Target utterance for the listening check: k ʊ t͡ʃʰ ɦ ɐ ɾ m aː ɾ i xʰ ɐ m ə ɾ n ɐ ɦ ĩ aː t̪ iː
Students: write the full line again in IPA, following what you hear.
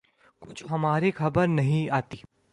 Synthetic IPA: k ʊ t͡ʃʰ ɦ ɐ m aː ɾ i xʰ ɐ b ə ɾ n ɐ ɦ ĩ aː t̪ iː